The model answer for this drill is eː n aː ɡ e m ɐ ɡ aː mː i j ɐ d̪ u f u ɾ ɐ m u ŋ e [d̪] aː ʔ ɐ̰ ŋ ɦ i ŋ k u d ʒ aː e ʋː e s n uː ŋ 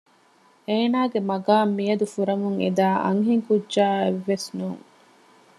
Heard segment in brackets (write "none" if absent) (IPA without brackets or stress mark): d̪